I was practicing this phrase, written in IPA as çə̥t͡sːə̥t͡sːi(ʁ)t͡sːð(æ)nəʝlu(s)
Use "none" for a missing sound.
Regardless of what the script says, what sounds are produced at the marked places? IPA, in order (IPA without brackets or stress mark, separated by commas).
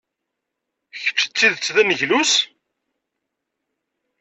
ð, æ, s